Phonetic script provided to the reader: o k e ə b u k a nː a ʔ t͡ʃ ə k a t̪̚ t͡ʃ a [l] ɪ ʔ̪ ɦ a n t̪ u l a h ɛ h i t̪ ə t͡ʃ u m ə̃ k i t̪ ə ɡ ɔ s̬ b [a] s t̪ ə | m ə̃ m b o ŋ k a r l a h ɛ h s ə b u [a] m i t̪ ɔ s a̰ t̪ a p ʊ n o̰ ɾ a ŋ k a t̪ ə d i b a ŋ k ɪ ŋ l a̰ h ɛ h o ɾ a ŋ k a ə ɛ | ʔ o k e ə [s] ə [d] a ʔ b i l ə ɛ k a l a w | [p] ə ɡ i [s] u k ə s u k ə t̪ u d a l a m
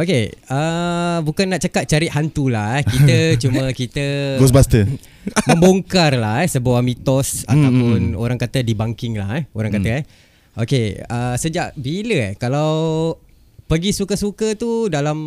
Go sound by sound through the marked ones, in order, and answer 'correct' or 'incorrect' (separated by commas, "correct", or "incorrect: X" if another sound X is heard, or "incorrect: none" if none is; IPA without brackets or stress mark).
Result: incorrect: ɾ, correct, correct, correct, incorrect: d͡ʒ, correct, correct